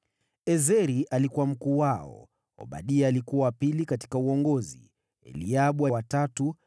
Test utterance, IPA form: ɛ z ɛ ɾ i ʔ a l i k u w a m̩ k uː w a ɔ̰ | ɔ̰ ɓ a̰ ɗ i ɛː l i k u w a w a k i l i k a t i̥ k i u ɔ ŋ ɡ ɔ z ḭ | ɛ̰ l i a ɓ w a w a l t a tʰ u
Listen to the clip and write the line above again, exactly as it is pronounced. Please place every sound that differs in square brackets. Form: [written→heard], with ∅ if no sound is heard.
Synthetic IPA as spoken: ɛ z ɛ ɾ i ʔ a l i k u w a m̩ k uː w a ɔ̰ | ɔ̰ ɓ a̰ ɗ i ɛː l i k u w a w a [k→p] i l i k a t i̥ k [i→a] u ɔ ŋ ɡ ɔ z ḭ | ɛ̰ l i a ɓ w a w a [l→∅] t a [tʰ→t] u